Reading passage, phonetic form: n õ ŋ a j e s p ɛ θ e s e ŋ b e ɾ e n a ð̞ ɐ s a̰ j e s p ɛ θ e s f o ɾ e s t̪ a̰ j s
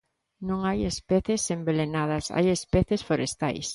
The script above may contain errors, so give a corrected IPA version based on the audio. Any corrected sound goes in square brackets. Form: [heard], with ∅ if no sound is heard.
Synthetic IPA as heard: n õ ŋ a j e s p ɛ θ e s e [m] b e [l] e n a ð̞ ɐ s a̰ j e s p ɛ θ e s f o ɾ e s t̪ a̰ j s

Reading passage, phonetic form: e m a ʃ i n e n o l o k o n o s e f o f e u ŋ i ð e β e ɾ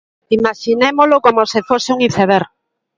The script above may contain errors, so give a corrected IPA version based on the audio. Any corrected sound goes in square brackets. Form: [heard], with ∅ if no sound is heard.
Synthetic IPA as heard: [i] m a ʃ i n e [m] o l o k o [m] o s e f o [s] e u ŋ i [θ] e β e ɾ

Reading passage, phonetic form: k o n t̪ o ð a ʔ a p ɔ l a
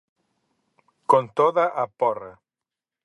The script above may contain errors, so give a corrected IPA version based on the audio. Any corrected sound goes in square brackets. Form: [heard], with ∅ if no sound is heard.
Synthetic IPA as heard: k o n t̪ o ð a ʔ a p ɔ [r] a

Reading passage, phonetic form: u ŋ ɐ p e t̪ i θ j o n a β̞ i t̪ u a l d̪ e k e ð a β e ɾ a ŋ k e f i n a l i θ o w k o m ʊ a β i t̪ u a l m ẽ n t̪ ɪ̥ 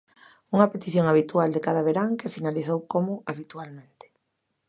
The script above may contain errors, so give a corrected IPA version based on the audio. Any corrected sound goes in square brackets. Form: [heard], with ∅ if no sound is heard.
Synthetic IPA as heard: u ŋ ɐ p e t̪ i θ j o [ŋ] a β̞ i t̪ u a l d̪ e k [a] ð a β e ɾ a ŋ k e f i n a l i θ o w k o m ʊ a β i t̪ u a l m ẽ n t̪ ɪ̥

